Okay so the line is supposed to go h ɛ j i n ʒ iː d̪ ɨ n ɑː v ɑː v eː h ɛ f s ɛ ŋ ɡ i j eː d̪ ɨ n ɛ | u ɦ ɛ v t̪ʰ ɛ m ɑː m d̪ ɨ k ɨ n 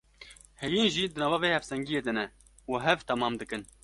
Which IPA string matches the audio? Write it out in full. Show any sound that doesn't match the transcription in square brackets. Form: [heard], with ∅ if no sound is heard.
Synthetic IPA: h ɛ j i n ʒ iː d̪ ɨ n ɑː v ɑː v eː h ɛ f s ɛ ŋ ɡ i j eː d̪ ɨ n ɛ | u ɦ ɛ v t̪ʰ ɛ m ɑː m d̪ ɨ k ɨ n